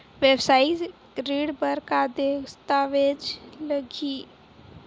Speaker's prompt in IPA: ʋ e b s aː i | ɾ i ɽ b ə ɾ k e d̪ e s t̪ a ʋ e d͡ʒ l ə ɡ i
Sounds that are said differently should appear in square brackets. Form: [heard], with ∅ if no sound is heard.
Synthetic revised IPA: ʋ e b s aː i | ɾ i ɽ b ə ɾ k [a] d̪ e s t̪ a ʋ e d͡ʒ l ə ɡ i